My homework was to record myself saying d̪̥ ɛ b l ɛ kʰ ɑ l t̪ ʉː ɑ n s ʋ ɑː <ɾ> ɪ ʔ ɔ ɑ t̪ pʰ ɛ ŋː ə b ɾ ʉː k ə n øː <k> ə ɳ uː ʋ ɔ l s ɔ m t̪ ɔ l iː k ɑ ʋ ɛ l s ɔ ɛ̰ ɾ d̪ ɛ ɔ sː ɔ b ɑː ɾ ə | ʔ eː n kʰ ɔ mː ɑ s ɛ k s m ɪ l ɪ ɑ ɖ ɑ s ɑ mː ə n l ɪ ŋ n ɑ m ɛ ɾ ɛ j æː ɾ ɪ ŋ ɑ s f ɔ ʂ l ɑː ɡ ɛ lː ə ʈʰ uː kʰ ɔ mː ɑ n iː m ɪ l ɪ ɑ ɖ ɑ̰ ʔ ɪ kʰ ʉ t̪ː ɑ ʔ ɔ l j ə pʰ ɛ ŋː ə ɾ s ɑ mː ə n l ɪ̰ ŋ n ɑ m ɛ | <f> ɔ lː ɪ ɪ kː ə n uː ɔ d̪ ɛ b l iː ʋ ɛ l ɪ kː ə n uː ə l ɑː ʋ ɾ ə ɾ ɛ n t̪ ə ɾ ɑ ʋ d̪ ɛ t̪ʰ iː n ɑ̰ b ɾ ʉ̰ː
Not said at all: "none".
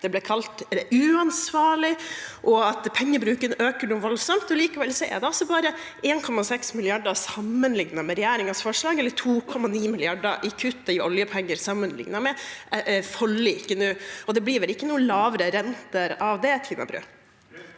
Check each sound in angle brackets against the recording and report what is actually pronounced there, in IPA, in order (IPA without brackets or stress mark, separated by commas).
ɭ, k, f